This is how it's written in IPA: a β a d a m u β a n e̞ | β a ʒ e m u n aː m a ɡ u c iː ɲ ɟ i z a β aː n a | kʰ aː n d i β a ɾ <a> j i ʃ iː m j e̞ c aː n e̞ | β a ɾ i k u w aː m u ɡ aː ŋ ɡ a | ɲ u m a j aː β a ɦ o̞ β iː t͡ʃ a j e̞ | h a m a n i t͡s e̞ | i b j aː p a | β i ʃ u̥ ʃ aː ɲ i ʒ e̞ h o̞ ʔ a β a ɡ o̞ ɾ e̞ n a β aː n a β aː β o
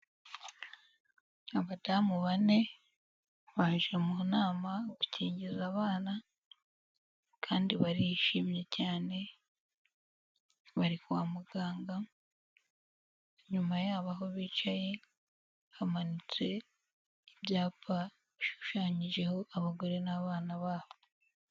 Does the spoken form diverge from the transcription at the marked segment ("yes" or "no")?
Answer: yes